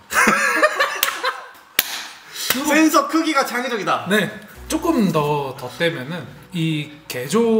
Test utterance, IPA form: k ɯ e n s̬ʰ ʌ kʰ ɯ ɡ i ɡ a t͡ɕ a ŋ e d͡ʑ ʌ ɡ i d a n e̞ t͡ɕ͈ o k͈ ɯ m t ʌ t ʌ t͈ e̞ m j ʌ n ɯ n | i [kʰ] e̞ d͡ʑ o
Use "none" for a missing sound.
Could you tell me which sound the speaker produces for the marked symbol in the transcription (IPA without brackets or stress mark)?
k